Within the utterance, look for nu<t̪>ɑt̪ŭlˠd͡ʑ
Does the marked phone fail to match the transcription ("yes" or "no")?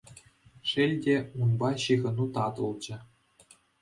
no